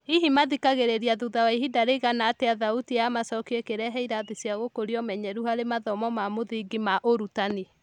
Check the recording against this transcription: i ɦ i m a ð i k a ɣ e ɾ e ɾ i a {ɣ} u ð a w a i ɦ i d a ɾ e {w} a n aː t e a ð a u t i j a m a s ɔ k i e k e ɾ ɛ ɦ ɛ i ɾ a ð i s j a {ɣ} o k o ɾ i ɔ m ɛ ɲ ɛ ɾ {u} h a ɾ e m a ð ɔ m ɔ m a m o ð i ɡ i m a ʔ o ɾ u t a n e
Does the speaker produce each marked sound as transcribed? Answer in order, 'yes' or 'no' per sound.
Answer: no, no, yes, yes

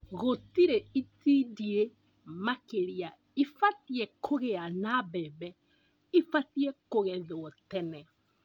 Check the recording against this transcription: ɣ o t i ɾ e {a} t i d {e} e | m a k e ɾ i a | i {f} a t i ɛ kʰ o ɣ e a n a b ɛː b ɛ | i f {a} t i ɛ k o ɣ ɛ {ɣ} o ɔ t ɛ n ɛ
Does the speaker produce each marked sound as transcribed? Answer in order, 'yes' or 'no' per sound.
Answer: no, no, yes, yes, no

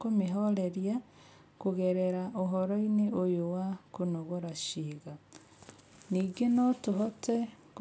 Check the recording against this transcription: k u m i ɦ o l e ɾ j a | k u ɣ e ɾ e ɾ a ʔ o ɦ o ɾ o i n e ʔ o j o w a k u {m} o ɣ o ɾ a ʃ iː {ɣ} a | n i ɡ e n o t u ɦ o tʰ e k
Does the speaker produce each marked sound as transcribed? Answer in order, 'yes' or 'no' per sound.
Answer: no, yes

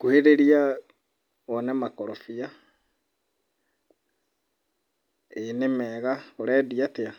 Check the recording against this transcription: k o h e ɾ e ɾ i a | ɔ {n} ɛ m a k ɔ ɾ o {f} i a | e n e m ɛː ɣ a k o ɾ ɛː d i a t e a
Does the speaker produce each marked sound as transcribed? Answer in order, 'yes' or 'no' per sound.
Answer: yes, yes

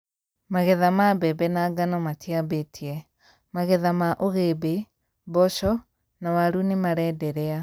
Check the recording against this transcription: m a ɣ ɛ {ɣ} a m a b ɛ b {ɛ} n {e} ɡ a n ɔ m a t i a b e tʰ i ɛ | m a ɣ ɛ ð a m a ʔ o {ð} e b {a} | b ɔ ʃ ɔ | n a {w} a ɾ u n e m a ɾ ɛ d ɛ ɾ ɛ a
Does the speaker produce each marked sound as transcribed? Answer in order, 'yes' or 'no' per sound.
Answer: no, yes, no, no, no, yes

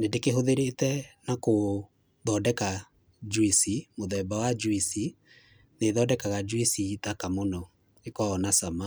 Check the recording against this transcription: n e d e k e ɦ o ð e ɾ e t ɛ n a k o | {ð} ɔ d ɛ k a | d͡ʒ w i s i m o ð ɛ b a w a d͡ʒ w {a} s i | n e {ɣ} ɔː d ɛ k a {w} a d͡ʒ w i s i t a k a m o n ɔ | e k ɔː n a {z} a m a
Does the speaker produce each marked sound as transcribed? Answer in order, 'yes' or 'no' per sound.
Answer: yes, no, no, no, no

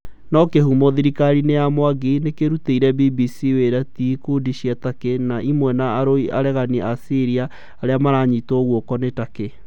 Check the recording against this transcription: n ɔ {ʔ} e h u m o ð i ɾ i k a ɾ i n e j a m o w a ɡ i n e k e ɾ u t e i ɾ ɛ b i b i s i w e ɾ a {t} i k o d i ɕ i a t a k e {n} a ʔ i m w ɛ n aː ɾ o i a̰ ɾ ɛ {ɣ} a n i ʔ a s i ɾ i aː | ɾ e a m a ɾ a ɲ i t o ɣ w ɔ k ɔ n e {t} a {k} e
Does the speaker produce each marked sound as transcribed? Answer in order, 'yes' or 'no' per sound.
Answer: no, yes, yes, yes, yes, yes

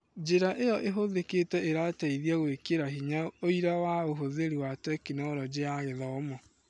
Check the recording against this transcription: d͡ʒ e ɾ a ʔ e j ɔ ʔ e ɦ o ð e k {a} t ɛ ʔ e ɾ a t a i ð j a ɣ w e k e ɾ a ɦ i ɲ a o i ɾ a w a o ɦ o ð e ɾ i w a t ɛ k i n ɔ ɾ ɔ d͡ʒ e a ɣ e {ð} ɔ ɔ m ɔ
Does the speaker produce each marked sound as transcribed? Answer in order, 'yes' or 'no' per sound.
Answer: no, yes

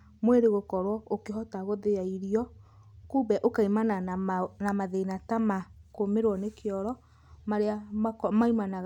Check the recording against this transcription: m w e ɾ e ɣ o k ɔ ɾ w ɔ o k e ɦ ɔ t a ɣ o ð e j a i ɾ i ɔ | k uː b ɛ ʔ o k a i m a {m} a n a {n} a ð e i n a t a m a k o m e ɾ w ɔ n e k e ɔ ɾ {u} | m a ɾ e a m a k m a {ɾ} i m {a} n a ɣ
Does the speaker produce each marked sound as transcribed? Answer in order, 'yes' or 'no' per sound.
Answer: no, no, no, no, yes

